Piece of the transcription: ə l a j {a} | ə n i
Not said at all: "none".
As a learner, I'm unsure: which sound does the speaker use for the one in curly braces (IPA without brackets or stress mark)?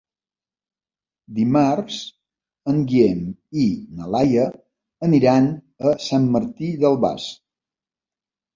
ə